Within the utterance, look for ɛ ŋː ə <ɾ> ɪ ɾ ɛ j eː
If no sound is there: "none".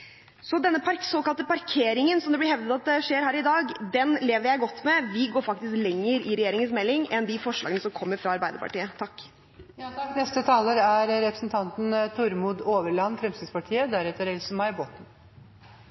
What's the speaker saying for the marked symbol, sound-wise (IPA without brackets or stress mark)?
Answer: ɾ